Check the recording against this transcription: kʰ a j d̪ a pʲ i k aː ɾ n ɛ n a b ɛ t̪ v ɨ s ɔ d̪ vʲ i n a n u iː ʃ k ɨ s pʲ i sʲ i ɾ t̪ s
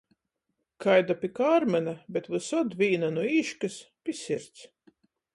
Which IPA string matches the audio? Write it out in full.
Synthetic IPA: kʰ a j d̪ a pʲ i k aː ɾ m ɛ n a b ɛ t̪ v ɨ s ɔ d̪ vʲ iː n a n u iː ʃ k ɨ s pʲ i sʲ i ɾ t̪ s